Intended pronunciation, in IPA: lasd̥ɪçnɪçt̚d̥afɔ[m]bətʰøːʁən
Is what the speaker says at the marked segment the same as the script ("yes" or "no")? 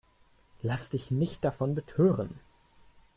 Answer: no